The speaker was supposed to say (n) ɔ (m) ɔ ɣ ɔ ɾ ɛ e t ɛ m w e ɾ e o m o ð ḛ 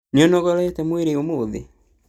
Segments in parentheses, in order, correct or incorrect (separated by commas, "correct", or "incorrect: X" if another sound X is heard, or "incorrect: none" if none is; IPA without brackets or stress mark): correct, incorrect: n